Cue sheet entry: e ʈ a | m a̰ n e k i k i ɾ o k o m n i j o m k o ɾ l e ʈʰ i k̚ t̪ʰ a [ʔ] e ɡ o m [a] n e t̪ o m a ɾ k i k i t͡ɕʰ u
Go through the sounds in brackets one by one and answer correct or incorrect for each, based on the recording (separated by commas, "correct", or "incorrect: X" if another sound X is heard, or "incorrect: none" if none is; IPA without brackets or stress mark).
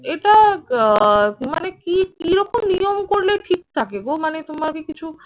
incorrect: k, correct